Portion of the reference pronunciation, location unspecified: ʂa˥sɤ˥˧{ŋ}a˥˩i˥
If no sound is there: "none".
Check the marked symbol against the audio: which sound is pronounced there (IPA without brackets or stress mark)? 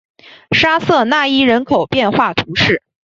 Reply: n